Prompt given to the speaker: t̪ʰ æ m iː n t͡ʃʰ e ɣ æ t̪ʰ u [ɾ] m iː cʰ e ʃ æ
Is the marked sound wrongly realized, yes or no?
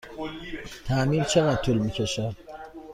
yes